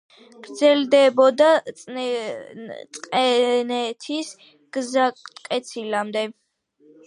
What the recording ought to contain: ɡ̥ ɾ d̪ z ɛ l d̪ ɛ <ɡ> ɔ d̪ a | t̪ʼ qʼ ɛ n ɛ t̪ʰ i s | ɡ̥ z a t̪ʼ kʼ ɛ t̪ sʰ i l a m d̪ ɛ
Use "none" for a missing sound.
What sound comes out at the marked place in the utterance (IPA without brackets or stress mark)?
b